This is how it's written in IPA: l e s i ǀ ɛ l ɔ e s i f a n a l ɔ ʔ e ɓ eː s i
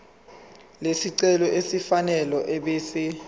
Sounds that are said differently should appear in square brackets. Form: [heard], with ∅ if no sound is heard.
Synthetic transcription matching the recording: l e s i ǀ ɛ l ɔ e s i f a n [ɛ] l ɔ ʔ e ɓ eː s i